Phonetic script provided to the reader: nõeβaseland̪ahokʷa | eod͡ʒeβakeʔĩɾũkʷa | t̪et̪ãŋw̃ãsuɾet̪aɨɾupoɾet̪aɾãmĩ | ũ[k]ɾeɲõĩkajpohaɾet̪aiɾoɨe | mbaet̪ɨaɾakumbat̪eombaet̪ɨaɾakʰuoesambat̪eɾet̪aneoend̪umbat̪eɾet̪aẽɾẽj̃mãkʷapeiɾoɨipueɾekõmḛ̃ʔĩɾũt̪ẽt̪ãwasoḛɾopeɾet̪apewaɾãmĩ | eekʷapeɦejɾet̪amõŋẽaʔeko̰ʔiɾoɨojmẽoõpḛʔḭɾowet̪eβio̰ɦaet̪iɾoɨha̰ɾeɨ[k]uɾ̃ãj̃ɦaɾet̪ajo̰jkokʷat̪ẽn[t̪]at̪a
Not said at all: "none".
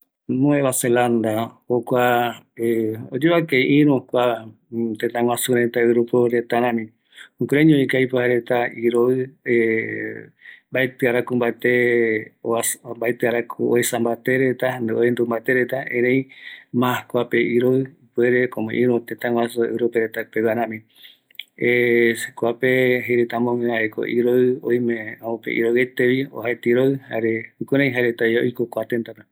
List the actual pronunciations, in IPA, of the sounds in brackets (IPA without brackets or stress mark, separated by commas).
k, k, t̪